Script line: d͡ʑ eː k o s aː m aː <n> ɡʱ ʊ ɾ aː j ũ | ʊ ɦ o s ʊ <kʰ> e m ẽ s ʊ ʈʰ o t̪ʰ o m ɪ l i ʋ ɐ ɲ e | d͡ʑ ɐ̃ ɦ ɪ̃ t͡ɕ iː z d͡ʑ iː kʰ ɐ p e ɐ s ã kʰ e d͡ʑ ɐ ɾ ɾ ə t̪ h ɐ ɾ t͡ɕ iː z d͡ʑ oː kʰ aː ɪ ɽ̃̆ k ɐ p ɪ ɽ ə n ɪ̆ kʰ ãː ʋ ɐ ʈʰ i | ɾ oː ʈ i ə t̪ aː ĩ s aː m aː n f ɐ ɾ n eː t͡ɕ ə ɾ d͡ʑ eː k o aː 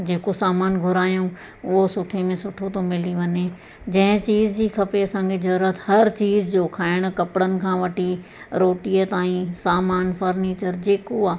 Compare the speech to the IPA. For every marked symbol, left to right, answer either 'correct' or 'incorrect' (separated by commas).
correct, incorrect